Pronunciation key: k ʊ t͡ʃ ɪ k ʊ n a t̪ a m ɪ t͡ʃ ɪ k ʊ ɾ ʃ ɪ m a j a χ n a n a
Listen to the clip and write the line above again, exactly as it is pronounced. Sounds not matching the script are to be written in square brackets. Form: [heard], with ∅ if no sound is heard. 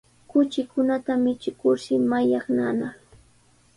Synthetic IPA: k ʊ t͡ʃ ɪ k ʊ n a t̪ a m ɪ t͡ʃ ɪ k ʊ ɾ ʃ ɪ m a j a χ n a n a

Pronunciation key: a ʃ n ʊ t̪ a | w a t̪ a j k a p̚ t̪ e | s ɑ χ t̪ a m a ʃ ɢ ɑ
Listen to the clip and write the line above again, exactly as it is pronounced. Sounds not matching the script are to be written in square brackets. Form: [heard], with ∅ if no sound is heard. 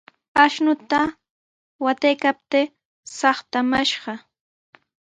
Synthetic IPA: a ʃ n ʊ t̪ a | w a t̪ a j k a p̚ t̪ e | s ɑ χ t̪ a m a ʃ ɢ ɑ

